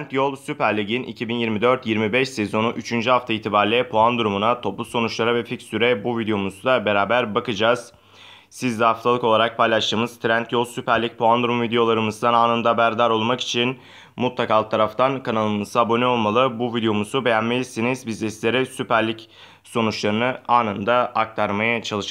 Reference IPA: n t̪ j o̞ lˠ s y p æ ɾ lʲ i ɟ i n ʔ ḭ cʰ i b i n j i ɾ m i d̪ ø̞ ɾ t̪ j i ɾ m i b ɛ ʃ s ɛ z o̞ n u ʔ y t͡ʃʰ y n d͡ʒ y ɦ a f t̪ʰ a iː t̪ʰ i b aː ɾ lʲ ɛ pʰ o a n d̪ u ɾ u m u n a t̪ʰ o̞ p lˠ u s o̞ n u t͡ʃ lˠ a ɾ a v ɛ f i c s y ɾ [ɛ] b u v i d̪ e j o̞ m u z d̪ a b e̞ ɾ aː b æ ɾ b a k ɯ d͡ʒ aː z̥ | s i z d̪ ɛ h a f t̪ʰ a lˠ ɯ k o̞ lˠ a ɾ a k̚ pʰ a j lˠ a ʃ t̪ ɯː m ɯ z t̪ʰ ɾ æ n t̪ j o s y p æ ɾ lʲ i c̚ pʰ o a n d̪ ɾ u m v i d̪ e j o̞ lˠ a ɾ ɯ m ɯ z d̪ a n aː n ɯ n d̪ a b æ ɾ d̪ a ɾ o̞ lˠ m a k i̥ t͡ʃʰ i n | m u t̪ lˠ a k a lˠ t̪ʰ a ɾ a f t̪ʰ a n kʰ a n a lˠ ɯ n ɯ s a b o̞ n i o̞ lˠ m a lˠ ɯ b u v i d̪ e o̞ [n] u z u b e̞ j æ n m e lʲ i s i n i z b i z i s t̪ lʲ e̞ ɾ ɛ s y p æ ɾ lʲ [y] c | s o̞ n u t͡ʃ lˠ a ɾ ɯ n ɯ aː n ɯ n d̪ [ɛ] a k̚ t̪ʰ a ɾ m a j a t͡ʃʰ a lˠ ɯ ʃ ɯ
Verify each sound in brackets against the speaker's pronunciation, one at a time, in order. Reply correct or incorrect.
correct, incorrect, incorrect, incorrect

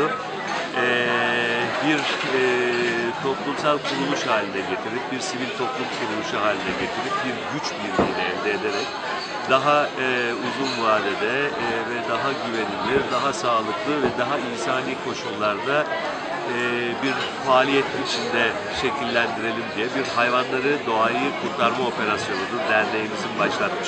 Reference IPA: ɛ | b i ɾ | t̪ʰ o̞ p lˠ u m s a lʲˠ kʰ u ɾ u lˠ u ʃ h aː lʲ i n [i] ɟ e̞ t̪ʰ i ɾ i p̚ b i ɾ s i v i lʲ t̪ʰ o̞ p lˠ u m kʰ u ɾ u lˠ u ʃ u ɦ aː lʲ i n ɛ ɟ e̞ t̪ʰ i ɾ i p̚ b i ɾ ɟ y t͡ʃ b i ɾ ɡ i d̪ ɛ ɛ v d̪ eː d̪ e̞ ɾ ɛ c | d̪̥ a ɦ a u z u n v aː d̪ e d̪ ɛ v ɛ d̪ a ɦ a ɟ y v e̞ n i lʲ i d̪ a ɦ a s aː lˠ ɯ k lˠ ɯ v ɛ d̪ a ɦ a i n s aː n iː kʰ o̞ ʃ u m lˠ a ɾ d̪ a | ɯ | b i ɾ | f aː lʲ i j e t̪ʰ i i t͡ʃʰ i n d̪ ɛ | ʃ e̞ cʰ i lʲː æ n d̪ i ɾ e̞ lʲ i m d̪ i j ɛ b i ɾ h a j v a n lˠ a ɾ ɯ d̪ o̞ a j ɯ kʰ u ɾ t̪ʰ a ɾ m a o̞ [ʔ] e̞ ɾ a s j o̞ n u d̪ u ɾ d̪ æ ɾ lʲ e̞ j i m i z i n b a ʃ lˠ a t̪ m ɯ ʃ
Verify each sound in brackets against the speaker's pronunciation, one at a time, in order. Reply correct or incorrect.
incorrect, incorrect

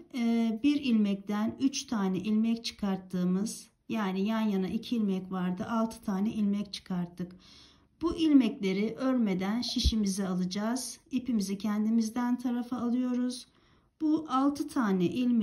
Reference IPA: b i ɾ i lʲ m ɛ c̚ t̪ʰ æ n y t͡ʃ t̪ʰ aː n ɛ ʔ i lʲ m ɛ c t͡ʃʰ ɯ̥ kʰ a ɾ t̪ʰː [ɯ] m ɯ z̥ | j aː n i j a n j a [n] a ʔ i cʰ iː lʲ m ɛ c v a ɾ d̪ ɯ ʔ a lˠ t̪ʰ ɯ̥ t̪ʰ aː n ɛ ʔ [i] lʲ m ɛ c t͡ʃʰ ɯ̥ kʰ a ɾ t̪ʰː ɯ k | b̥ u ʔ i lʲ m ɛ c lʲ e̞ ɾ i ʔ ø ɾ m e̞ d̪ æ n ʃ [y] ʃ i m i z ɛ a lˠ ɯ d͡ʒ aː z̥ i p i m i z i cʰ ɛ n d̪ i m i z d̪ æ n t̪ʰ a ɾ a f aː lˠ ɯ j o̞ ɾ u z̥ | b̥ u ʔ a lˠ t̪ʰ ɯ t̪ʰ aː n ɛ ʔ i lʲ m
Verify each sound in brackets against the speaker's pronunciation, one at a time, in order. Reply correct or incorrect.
incorrect, correct, correct, incorrect

